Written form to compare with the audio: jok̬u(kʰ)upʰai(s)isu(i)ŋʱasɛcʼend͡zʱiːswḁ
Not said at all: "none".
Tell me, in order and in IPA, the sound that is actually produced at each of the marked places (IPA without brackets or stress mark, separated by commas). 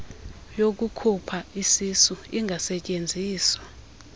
kʰ, s, i